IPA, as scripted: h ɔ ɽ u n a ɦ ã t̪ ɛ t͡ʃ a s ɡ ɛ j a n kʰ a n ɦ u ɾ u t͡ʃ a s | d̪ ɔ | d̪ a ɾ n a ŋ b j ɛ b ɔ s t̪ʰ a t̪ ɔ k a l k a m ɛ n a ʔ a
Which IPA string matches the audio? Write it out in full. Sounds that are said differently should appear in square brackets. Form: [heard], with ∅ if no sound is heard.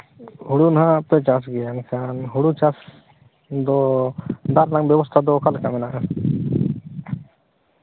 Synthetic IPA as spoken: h [u] ɽ u n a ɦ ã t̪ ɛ t͡ʃ a s ɡ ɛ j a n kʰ a n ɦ u [ɽ] u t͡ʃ a s | d̪ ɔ | d̪ a ɾ n a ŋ b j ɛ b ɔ s t̪ʰ a [d̪] ɔ k a l k a m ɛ n a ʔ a